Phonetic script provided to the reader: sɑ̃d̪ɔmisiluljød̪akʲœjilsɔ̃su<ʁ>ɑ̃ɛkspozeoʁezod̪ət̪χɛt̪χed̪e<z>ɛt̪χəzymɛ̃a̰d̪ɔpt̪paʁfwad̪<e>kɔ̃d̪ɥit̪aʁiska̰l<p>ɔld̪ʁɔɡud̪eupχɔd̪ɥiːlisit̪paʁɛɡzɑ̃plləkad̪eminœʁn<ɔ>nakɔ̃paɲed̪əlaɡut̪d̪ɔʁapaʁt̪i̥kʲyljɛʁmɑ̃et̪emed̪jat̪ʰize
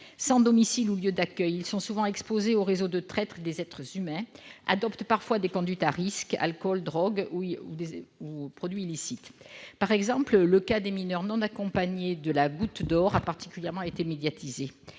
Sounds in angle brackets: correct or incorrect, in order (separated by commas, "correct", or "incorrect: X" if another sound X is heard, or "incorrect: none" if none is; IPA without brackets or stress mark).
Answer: incorrect: v, correct, correct, incorrect: k, incorrect: ɔ̃